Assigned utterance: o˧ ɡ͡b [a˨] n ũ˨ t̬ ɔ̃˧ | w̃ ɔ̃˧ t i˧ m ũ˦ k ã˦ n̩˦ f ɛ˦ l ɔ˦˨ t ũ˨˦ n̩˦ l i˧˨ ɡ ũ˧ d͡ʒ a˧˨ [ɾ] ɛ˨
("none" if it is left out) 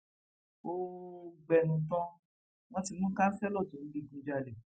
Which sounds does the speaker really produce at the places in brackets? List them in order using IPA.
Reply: ɛ˨, l

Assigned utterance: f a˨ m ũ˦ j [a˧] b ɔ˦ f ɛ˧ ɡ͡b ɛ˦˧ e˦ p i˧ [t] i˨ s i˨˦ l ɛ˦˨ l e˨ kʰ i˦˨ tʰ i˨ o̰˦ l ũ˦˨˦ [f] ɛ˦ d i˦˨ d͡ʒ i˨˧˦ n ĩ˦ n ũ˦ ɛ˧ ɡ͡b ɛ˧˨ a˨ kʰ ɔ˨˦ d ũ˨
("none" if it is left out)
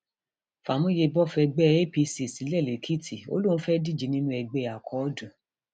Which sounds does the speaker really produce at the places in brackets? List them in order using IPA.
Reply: e˧, s, f

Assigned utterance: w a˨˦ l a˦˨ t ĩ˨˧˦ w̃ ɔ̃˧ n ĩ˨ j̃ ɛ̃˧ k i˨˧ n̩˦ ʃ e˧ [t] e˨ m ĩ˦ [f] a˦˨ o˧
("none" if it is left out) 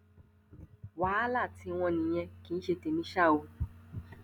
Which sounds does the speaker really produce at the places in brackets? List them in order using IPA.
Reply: t, ʃ

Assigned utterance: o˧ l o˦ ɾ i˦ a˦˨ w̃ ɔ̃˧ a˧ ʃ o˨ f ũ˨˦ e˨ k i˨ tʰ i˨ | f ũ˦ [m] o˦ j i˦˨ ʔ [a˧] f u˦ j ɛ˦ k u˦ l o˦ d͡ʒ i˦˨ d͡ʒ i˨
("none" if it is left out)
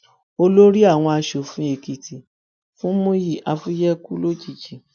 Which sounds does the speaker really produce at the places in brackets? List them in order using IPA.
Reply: m, a˧

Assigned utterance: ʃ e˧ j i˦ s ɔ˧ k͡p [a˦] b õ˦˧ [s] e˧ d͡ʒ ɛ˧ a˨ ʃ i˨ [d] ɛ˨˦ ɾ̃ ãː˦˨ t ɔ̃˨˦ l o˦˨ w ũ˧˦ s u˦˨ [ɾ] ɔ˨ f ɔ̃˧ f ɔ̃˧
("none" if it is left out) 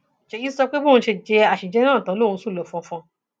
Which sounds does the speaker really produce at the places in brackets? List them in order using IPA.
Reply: e˦, ʃ, d͡ʒ, l

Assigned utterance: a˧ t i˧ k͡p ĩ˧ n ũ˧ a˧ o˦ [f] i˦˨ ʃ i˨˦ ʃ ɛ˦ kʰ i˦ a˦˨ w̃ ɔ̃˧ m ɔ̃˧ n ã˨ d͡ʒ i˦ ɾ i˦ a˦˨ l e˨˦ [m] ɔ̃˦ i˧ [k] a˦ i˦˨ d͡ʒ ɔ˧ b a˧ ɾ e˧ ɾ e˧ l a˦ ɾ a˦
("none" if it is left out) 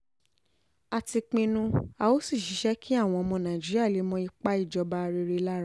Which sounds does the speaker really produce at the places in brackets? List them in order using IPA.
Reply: s, m, k͡p

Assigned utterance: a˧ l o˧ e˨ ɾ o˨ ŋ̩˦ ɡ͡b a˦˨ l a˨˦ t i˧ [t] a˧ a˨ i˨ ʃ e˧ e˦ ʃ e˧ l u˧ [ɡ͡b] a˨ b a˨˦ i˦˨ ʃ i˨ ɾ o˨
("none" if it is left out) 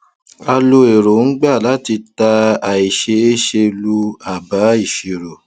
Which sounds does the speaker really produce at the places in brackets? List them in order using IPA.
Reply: t, none

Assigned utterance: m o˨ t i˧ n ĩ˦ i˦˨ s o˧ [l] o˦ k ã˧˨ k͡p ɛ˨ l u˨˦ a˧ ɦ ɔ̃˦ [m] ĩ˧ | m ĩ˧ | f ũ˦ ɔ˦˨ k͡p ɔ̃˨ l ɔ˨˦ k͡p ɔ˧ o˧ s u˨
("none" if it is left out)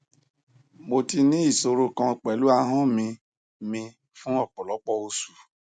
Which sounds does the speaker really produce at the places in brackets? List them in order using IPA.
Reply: ɾ, m

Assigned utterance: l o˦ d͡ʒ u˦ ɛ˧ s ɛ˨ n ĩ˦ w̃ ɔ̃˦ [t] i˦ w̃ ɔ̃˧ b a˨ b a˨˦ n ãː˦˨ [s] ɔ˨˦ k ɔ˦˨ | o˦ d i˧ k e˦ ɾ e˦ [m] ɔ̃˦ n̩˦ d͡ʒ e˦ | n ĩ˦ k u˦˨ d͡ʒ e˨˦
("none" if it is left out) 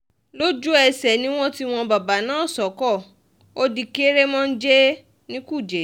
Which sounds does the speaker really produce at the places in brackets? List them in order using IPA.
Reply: t, s, m

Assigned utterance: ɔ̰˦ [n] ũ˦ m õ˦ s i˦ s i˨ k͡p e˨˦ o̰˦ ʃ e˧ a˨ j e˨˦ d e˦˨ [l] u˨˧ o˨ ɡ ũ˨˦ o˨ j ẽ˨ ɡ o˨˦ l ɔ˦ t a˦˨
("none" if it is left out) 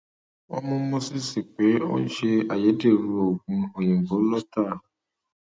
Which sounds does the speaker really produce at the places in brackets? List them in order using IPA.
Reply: m, ɾ

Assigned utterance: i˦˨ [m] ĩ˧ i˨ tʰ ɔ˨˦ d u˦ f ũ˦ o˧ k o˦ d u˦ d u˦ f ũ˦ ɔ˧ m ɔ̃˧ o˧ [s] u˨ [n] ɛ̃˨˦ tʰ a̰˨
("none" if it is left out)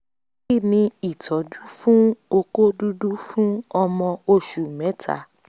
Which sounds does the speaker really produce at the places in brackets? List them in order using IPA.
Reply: n, ʃ, m

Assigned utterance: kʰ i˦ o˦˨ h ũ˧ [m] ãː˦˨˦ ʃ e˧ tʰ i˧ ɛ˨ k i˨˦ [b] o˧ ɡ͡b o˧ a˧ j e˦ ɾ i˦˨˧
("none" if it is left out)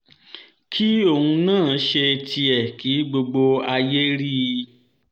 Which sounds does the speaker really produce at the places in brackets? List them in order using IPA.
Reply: n, ɡ͡b

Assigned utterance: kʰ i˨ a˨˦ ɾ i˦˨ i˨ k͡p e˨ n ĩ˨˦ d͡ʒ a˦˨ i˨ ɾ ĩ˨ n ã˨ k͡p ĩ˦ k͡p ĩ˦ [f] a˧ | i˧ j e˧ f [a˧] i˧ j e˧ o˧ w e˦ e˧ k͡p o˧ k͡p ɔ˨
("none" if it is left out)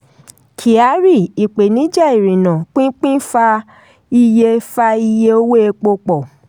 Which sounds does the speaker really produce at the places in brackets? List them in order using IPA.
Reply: f, a˧

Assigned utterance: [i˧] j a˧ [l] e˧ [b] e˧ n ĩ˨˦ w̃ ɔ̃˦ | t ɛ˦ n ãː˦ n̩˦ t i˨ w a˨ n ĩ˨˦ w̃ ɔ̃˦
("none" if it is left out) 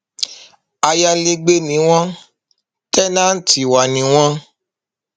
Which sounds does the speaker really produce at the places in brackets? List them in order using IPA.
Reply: a˧, l, ɡ͡b

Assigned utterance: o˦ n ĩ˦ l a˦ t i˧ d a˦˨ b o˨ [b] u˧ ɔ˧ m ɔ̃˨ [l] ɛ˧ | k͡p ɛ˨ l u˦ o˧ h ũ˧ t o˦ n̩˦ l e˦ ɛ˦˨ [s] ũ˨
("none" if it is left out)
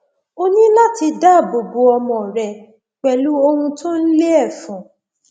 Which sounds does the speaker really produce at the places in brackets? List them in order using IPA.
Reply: b, ɾ, f

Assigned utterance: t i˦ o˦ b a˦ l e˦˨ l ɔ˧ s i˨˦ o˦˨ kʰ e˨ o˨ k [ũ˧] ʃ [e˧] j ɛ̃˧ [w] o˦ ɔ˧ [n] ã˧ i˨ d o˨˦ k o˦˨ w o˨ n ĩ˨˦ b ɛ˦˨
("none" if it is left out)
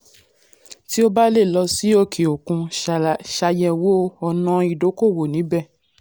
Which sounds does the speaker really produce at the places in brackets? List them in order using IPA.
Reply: ũ˧, a˧, w, n

